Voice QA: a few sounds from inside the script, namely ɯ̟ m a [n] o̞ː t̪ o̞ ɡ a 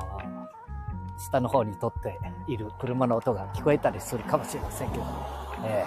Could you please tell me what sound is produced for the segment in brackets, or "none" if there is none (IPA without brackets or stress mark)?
n